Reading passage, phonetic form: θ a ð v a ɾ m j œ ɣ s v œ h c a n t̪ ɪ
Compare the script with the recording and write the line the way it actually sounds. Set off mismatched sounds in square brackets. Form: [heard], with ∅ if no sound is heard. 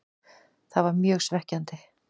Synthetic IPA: θ a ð v a ɾ m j [œː] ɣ s v [ɛ] h c a n t̪ ɪ